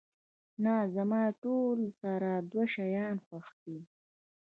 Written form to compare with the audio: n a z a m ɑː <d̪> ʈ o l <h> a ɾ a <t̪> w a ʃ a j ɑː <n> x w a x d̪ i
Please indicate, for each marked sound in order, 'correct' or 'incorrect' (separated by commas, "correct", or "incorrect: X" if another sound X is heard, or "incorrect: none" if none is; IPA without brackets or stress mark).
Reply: incorrect: none, incorrect: s, incorrect: d̪, correct